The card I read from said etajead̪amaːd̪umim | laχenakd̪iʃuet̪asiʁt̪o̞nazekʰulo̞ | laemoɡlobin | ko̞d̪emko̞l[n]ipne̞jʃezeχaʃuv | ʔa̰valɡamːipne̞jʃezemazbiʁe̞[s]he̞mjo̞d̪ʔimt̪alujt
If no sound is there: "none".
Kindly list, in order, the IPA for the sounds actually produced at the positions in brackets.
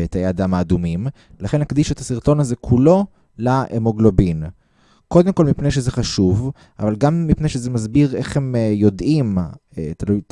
m, χ

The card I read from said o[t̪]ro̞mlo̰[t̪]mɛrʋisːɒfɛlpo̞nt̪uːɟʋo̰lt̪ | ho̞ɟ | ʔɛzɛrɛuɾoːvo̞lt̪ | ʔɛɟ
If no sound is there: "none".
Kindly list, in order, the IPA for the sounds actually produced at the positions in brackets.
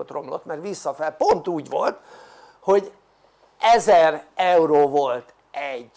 t̪, t̪

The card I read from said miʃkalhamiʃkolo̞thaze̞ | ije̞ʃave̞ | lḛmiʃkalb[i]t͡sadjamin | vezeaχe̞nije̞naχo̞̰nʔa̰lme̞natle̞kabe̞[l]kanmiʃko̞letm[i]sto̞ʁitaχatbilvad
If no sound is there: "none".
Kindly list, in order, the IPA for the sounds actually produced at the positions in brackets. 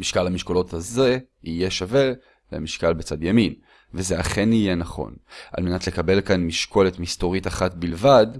e, l, i

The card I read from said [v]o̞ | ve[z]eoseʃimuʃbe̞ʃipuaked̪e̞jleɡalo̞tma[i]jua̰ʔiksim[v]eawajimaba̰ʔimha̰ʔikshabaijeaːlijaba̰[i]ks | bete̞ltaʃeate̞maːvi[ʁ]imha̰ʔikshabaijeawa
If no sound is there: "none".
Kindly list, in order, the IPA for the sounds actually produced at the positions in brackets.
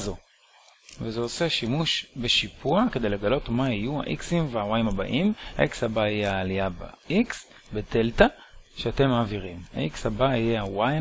z, z, i, v, i, ʁ

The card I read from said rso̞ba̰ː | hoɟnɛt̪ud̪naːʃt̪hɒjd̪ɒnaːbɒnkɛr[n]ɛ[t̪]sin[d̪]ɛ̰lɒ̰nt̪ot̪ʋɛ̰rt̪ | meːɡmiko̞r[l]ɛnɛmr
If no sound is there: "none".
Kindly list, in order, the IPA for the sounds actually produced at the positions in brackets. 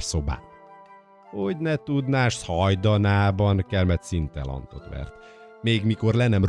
m, t̪, t̪, l

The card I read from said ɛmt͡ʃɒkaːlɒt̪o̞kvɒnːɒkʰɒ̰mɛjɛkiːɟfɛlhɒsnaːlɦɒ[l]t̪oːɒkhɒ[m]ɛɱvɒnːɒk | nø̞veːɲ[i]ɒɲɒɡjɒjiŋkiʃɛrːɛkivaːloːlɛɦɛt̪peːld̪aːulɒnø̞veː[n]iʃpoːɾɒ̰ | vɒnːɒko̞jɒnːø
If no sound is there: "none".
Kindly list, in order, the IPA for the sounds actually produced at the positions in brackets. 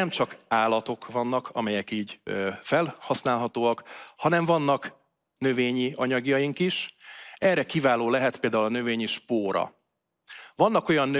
none, n, i, ɲ

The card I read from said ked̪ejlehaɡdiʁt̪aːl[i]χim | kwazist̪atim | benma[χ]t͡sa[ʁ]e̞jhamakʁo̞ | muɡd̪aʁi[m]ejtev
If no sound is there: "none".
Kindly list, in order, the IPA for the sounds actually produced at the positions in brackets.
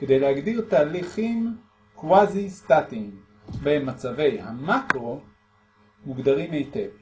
i, none, v, m

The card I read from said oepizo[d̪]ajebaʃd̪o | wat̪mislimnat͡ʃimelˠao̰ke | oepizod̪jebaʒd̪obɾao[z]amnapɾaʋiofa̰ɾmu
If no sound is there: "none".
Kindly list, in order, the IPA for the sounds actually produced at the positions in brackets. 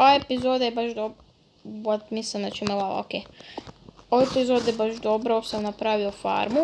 d̪, s

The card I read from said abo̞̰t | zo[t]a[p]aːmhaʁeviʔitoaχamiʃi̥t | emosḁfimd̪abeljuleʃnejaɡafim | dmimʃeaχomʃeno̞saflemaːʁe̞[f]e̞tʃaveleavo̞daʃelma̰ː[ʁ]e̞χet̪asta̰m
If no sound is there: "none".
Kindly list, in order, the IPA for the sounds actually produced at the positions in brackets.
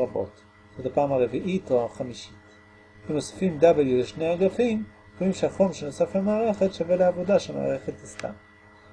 t, p, χ, ʁ

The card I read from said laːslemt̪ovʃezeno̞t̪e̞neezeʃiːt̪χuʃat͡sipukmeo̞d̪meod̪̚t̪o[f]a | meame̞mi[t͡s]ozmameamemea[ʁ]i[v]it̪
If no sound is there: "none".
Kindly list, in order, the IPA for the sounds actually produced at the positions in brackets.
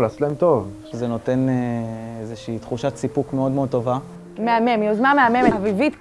v, none, v, v

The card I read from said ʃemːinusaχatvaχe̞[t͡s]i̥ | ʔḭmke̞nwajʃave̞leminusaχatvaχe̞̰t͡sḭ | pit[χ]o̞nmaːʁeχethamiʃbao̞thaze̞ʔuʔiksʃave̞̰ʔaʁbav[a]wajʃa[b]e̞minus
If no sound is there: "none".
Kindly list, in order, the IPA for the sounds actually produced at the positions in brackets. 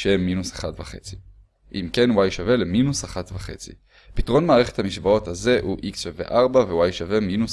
t͡s, ʁ, e, v

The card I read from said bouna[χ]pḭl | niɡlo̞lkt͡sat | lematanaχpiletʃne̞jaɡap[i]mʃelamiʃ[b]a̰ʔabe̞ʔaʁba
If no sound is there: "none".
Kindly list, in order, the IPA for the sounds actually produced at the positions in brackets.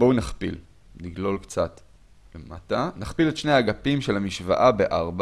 χ, i, v

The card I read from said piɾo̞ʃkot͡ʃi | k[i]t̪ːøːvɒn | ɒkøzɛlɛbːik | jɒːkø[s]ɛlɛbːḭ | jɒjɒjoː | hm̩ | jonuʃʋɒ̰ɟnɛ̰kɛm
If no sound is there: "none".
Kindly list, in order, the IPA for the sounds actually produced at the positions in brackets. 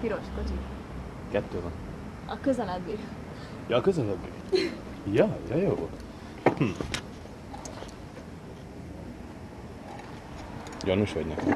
ɛ, z

